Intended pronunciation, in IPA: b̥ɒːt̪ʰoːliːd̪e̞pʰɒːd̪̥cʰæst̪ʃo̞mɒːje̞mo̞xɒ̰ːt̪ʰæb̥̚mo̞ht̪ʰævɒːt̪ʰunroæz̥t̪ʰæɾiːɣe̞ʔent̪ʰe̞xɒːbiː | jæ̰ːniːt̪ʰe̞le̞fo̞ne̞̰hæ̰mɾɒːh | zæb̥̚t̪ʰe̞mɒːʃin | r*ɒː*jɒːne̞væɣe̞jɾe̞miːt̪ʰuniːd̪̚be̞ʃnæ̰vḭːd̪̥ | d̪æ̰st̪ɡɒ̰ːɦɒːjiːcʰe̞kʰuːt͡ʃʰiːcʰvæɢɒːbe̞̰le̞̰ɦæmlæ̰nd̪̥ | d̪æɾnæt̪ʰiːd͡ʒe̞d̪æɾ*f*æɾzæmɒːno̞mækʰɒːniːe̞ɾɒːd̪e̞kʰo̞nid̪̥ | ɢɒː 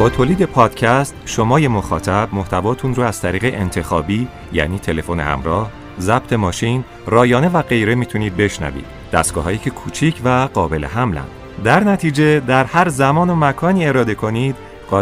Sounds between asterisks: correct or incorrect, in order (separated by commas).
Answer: correct, incorrect